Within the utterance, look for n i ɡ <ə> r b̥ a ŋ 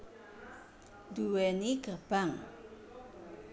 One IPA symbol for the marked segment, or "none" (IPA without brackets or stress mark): ə